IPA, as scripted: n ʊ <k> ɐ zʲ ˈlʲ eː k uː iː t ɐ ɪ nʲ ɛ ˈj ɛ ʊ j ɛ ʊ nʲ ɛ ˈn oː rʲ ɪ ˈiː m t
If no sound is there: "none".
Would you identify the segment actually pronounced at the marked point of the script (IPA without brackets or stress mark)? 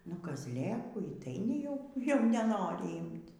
k